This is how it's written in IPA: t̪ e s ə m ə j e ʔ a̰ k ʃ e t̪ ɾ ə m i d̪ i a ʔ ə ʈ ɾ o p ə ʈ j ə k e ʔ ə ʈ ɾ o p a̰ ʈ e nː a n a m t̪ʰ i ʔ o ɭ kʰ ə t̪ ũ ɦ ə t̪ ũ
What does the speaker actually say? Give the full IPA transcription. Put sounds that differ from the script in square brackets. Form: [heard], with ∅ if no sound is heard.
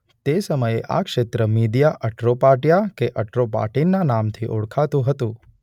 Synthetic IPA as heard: t̪ e s ə m ə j e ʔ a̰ k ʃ e t̪ ɾ ə m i d̪ [j] a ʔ ə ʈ ɾ o p [a] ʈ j [a] k e ʔ ə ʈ ɾ o p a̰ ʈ [i] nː a n a m t̪ʰ i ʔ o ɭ kʰ [a] t̪ ũ ɦ ə t̪ ũ